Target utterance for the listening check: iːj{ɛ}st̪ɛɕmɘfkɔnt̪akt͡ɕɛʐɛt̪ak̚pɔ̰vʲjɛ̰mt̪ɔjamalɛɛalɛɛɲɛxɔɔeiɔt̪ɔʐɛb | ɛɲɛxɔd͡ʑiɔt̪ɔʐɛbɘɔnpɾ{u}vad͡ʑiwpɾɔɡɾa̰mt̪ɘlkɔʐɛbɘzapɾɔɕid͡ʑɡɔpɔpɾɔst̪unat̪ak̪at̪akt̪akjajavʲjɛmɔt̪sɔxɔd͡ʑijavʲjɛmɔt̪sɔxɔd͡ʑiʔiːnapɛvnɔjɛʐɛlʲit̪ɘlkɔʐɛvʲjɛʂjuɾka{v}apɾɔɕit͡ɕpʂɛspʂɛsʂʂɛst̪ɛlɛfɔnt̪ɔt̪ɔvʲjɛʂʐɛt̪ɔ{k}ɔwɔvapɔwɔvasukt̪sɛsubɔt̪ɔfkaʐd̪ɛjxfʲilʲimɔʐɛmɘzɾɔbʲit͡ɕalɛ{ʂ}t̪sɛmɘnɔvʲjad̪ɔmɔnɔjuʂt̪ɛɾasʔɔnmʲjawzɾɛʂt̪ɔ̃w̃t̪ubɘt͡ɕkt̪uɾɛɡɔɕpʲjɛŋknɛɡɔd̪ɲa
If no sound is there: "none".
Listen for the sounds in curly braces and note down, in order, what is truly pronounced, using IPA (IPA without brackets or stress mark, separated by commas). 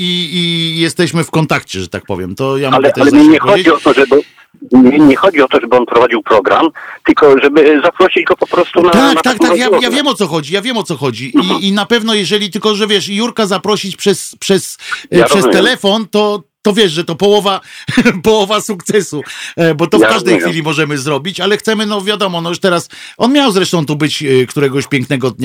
ɛ, ɔ, z, p, x